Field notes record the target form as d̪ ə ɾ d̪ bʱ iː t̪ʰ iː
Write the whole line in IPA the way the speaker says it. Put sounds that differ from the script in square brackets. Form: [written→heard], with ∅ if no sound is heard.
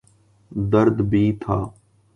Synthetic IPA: d̪ ə ɾ d̪ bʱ iː t̪ʰ [iː→aː]